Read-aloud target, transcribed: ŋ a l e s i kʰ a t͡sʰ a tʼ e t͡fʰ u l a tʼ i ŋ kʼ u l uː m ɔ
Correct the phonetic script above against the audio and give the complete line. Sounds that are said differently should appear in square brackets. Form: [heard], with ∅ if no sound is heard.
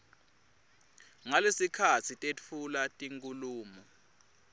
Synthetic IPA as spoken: ŋ a l e s i kʰ a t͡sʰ [i] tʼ e t͡fʰ u l a tʼ i ŋ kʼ u l uː m ɔ